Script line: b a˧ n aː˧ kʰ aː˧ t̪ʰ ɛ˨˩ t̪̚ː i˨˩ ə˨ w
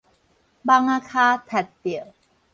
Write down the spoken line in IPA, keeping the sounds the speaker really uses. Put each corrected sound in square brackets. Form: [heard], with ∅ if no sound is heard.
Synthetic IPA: b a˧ [ŋ] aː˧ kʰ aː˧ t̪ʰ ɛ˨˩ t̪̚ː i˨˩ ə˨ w

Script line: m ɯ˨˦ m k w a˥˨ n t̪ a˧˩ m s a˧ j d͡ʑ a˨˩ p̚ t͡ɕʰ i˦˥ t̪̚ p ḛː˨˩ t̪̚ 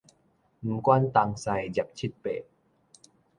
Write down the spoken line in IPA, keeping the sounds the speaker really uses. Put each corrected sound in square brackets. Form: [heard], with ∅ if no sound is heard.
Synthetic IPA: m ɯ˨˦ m k w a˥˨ n t̪ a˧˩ [ŋ] s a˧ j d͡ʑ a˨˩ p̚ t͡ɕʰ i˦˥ t̪̚ p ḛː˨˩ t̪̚

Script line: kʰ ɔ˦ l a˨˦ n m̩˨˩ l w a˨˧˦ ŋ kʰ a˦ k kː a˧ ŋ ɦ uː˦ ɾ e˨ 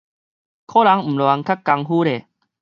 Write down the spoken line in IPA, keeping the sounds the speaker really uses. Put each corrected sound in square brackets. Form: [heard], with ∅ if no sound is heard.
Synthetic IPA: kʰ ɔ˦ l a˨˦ [ŋ] m̩˨˩ l w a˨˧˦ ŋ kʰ a˦ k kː a˧ ŋ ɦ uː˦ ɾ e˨

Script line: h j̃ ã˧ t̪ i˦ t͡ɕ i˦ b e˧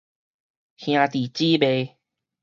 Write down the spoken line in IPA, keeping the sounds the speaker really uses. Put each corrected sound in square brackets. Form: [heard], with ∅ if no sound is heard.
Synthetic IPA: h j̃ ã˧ t̪ [i˨˩] t͡ɕ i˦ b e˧

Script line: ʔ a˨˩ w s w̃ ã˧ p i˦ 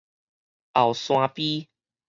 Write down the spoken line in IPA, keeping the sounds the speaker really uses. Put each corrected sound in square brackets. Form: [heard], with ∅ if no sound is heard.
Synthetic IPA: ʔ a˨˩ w s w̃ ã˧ p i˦

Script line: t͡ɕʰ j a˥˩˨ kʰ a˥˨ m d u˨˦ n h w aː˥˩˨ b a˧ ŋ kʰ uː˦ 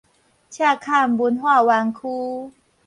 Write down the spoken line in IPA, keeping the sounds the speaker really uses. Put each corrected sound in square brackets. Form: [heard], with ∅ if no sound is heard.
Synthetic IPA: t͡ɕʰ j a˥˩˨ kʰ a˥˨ m [b] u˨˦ n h w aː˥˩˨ [w] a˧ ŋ kʰ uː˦

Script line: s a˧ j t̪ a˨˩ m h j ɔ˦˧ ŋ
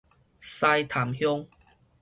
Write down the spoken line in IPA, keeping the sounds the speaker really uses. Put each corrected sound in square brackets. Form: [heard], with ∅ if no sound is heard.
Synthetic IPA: s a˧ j [t̪ʰ] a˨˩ m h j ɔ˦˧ ŋ

